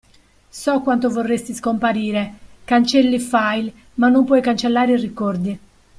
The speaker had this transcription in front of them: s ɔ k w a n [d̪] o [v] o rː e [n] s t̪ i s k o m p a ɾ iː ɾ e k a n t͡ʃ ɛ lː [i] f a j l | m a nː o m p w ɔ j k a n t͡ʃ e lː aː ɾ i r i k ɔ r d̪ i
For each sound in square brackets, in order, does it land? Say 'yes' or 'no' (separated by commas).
no, yes, no, yes